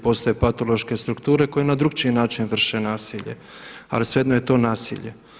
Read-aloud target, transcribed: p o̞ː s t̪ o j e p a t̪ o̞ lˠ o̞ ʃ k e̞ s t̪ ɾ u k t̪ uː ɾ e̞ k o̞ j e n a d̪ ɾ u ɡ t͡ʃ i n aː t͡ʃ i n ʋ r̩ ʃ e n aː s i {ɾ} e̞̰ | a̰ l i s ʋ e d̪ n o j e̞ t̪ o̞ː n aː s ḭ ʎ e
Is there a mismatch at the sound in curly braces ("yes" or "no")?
yes